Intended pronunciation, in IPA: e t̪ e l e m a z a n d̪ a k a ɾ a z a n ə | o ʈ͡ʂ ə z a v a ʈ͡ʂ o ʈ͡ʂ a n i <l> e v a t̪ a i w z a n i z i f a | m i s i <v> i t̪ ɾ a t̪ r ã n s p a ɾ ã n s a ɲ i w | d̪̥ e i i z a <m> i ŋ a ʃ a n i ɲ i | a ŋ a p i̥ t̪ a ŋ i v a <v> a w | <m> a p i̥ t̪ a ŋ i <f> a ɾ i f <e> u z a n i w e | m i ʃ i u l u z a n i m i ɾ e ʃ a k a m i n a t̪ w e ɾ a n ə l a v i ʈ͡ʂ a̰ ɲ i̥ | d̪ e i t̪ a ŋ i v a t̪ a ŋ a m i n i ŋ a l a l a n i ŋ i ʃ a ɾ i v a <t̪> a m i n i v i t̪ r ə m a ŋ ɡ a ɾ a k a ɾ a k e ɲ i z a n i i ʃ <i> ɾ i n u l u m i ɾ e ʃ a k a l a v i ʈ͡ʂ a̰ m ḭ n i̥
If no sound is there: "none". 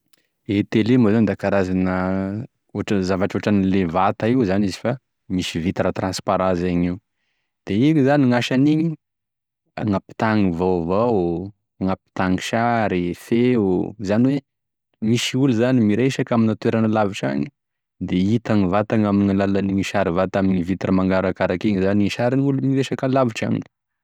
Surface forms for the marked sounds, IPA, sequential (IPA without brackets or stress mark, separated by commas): l, v, n, v, ŋ, ʃ, e, t̪, a